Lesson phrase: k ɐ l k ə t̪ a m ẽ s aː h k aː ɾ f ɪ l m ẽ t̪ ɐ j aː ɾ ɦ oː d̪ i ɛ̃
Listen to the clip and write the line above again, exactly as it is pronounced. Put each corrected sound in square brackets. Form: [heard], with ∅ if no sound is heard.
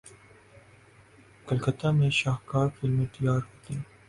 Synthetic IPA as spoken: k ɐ l k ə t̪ a m ẽ [ʃ] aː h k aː ɾ f ɪ l m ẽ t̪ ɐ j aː ɾ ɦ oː [t̪] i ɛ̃